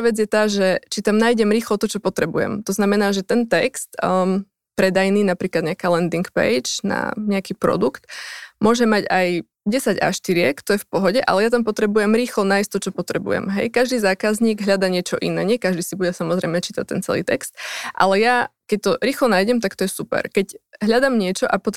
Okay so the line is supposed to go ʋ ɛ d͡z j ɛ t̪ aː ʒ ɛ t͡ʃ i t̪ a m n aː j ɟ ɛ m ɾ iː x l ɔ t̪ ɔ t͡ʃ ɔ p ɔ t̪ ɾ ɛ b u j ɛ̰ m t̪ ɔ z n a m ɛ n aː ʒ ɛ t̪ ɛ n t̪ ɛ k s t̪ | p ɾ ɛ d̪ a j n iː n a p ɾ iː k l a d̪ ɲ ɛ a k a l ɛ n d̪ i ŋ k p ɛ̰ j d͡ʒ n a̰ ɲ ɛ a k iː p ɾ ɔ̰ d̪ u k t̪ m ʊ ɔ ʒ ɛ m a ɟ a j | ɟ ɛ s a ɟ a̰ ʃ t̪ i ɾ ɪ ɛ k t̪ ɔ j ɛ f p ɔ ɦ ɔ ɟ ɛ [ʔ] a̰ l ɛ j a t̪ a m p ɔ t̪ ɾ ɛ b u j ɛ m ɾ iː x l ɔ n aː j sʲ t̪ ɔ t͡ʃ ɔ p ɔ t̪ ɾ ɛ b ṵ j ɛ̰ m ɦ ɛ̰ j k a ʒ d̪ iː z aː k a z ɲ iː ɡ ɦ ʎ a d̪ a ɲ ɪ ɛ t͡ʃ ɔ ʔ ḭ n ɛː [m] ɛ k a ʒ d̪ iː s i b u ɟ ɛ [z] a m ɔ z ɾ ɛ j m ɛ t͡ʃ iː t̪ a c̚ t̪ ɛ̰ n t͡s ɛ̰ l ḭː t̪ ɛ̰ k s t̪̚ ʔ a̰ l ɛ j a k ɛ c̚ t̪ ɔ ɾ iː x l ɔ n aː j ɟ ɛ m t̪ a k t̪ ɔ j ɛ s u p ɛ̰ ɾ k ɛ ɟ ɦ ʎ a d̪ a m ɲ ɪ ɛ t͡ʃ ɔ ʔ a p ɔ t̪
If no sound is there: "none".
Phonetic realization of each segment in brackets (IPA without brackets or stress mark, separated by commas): ʔ, ɲ, s